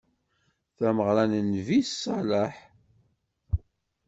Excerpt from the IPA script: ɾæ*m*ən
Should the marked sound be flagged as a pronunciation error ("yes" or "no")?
yes